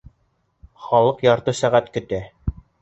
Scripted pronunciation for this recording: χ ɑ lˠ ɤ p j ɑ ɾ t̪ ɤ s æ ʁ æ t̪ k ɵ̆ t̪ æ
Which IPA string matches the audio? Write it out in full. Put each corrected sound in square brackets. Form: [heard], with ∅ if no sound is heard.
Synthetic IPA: χ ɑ lˠ ɤ [q] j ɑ ɾ t̪ ɤ s æ ʁ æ t̪ k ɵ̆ t̪ æ